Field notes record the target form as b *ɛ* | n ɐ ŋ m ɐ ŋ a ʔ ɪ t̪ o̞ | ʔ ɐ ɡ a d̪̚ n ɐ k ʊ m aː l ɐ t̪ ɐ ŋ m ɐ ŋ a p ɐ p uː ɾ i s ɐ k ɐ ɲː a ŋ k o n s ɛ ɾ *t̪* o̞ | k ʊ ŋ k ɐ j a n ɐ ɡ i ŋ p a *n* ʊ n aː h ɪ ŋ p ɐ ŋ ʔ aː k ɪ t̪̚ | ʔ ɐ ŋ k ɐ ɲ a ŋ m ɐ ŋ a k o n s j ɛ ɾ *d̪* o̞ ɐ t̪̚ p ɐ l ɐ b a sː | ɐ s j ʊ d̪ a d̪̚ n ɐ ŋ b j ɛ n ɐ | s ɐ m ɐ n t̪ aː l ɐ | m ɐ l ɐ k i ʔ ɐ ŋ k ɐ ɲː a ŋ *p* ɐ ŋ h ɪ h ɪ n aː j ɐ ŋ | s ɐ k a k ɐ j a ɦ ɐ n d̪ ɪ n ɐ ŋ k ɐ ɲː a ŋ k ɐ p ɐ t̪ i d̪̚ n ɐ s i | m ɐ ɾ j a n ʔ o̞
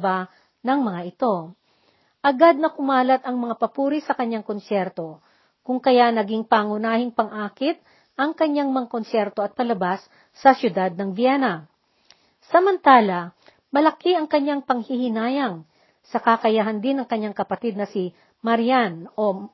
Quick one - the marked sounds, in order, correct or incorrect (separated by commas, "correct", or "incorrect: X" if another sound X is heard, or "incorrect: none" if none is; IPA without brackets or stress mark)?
incorrect: a, correct, incorrect: ŋ, incorrect: t̪, correct